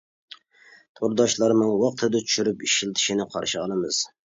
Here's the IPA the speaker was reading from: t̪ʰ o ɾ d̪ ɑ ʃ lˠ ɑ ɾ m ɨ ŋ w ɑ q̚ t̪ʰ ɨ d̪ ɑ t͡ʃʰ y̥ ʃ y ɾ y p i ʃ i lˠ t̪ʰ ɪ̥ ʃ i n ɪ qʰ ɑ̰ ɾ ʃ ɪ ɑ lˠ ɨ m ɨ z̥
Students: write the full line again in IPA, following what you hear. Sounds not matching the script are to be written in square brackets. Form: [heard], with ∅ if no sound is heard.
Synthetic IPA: t̪ʰ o ɾ d̪ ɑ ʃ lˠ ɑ ɾ m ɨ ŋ w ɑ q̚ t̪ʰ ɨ d̪ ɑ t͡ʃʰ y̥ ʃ y ɾ y p i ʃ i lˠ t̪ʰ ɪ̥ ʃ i n ɪ qʰ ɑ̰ ɾ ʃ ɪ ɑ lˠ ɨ m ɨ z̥